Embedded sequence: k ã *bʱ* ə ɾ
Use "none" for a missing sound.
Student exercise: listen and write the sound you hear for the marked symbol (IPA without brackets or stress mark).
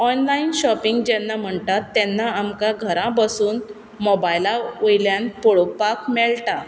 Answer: ɡʱ